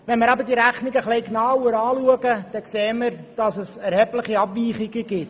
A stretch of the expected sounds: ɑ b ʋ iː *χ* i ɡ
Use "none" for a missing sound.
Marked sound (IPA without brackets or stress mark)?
χ